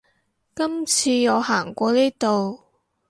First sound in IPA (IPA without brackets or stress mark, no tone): k